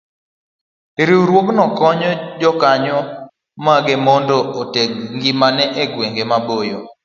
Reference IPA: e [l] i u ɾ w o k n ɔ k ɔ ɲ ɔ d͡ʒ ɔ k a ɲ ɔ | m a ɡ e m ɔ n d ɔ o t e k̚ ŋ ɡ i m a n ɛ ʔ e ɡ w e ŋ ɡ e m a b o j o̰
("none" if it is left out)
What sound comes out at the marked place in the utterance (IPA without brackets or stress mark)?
ɾ